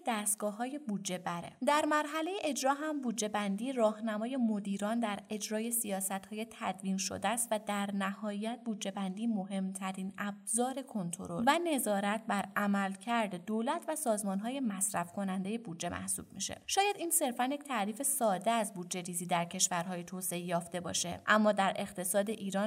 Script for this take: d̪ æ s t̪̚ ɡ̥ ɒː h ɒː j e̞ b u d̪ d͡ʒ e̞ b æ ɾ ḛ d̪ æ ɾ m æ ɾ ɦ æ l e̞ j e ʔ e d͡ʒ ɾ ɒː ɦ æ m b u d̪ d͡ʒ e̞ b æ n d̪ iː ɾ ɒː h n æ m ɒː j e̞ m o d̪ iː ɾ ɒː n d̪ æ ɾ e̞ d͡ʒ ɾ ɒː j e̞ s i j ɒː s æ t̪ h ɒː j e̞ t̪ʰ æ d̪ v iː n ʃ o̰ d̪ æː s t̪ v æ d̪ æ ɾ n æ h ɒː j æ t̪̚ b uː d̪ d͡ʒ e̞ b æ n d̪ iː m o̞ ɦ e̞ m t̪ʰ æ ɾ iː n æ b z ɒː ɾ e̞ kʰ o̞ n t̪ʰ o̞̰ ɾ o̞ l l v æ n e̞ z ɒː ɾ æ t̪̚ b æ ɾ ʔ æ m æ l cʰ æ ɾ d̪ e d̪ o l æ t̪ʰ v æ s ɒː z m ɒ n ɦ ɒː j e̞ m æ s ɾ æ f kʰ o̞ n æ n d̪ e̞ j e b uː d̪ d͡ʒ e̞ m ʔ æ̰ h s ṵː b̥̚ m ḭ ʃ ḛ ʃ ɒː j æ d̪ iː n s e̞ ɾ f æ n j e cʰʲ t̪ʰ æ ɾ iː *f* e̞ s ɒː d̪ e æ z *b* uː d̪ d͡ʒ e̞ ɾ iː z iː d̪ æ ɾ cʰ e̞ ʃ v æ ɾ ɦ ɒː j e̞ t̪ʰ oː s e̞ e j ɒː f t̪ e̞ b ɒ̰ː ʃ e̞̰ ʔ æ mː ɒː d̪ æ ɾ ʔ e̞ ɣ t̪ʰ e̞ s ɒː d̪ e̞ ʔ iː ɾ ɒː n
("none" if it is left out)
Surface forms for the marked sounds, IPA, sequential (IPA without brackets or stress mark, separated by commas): f, b